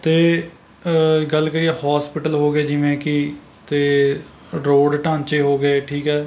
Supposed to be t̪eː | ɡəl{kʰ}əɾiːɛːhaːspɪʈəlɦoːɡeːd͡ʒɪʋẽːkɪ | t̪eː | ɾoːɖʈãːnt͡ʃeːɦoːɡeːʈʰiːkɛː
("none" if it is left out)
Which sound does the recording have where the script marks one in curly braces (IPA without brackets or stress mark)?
k